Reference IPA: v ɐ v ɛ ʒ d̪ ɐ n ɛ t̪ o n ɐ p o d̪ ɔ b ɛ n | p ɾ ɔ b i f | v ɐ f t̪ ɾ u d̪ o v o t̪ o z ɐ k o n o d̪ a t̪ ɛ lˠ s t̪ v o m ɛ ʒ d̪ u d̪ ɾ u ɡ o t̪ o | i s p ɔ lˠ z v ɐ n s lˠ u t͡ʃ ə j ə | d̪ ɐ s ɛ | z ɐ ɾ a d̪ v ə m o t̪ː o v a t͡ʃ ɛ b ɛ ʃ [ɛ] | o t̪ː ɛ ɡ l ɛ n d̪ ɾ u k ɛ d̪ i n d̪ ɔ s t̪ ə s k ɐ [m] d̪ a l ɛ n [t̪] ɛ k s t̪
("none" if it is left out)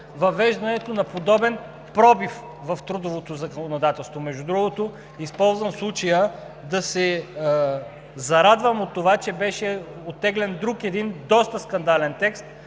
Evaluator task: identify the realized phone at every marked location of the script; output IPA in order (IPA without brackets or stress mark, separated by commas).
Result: ɛ, n, t̪